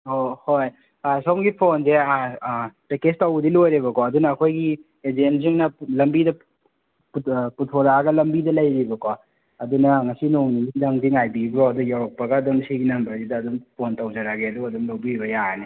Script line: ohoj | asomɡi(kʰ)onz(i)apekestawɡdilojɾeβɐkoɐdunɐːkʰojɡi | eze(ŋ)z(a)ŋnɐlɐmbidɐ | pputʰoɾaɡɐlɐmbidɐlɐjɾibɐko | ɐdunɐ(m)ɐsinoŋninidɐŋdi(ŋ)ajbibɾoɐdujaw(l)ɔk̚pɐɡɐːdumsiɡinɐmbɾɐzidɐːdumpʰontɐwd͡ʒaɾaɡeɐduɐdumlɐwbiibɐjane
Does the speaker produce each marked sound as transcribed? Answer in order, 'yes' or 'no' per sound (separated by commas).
no, no, no, no, no, yes, no